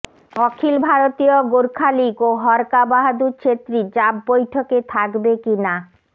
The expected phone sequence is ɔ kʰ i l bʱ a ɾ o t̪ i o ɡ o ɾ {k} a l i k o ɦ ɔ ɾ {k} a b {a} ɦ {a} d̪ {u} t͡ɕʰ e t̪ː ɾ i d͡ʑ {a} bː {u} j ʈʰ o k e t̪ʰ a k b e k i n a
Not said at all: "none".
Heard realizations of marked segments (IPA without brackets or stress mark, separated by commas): kʰ, k, a, a, u, a, o